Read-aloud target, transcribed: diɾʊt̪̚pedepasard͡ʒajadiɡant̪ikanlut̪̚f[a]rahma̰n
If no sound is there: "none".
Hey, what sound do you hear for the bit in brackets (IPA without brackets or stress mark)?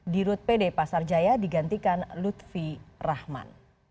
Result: i